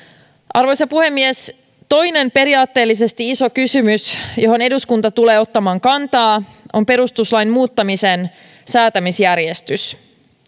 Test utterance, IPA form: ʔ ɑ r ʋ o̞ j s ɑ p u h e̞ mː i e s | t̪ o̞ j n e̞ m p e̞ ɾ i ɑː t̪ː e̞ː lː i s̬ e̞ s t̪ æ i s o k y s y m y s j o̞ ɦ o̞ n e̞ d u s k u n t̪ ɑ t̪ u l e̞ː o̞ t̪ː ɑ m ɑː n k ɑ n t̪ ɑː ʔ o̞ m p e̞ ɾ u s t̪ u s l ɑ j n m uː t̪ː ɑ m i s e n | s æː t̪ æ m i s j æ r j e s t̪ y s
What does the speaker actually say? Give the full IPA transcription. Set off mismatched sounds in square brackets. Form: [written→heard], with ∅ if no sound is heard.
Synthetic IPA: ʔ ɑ r ʋ o̞ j s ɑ p u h e̞ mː i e s | t̪ o̞ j n e̞ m p e̞ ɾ i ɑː t̪ː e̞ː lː i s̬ e̞ s t̪ [æ→i] i s o k y s y m y s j o̞ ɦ o̞ n e̞ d u s k u n t̪ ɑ t̪ u l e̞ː o̞ t̪ː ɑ m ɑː [n→ŋ] k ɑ n t̪ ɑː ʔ o̞ m p e̞ ɾ u s t̪ u s l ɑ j n m uː t̪ː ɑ m i s e n | s æː t̪ æ m i s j æ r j e s t̪ y s